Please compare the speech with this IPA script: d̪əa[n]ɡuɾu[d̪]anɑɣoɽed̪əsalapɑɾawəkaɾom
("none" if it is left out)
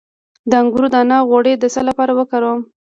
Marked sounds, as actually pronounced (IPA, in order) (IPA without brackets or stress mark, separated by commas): ŋ, d̪